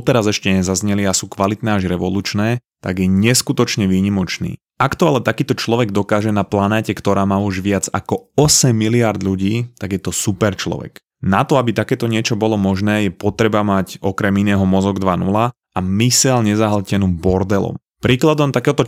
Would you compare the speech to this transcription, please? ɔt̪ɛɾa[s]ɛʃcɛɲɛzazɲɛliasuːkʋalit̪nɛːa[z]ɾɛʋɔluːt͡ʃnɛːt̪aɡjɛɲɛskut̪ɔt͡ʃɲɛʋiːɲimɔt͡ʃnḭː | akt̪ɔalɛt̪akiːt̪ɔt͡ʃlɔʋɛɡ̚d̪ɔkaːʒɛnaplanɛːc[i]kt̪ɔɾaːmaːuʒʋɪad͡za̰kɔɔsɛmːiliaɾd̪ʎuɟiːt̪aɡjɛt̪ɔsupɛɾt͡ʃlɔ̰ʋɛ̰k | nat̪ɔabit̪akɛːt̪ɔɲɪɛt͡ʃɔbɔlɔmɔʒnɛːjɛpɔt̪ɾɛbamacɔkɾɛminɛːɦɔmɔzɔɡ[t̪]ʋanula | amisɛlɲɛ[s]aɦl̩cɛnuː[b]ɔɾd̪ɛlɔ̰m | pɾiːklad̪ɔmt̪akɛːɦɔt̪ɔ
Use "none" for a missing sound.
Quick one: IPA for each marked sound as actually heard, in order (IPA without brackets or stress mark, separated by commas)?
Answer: z, ʒ, ɛ, d̪, z, b